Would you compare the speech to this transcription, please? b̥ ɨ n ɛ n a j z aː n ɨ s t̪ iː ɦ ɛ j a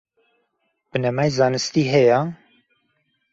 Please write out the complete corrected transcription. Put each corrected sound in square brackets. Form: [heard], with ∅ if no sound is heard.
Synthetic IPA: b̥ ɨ n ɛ [m] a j z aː n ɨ s t̪ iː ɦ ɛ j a